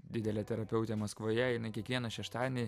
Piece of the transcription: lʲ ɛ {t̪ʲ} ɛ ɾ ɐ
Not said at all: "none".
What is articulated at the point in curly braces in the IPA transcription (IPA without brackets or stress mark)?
t̪ʲ